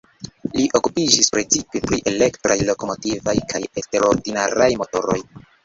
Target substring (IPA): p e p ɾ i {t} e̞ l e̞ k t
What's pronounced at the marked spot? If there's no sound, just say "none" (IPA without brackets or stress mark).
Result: ʔ